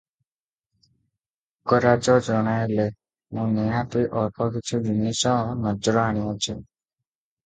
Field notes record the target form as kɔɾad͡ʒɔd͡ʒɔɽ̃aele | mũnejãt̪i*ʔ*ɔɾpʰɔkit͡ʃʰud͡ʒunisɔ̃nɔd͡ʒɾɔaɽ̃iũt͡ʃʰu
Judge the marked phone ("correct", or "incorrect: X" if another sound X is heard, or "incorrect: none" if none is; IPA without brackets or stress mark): correct